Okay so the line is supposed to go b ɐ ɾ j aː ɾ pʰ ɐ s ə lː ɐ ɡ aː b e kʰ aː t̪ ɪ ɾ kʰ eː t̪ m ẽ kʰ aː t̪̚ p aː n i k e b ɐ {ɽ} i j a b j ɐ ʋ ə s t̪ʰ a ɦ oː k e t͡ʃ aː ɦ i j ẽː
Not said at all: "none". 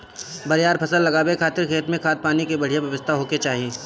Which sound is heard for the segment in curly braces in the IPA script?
ɽ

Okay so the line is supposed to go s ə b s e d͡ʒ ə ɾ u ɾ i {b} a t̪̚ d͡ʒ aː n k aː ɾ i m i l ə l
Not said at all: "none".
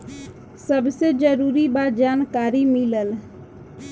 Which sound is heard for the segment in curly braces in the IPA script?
b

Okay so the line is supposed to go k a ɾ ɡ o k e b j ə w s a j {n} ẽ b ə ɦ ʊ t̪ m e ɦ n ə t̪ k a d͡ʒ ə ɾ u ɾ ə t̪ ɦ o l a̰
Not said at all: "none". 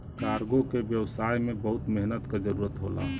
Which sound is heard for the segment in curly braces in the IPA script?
m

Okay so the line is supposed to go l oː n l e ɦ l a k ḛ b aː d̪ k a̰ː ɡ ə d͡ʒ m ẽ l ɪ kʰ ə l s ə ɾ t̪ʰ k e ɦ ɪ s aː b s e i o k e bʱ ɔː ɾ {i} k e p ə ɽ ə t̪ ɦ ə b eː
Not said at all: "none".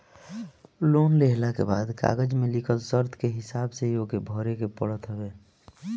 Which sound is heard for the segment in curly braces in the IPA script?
e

